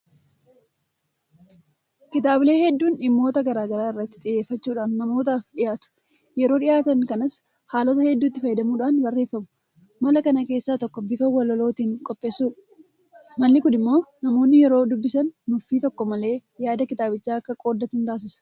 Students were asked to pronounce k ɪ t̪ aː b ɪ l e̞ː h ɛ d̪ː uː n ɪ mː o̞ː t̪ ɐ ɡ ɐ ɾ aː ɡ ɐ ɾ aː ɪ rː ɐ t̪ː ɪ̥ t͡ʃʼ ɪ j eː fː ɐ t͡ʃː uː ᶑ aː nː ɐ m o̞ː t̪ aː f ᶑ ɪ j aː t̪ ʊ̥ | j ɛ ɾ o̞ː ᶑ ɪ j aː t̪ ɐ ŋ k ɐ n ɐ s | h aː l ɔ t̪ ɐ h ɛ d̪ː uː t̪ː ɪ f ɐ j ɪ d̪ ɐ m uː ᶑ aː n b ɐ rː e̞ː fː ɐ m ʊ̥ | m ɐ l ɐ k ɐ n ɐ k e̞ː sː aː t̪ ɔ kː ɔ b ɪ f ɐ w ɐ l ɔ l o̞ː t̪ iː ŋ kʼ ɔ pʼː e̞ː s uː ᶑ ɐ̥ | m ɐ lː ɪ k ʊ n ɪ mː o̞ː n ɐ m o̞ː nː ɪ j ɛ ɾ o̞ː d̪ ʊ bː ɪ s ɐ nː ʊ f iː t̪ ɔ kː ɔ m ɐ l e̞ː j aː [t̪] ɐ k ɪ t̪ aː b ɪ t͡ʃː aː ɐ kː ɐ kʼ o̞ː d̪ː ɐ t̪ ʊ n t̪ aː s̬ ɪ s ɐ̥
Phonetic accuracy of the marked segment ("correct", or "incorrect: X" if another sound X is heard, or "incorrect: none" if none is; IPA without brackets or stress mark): incorrect: d̪